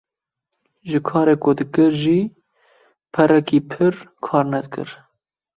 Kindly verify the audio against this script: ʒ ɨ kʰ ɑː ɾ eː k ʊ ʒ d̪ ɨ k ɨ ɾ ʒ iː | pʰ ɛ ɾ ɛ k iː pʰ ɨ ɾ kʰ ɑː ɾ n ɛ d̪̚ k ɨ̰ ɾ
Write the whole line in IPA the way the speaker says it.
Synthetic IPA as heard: ʒ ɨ kʰ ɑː ɾ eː k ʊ d̪ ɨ k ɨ ɾ ʒ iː | pʰ ɛ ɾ ɛ k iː pʰ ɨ ɾ kʰ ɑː ɾ n ɛ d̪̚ k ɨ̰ ɾ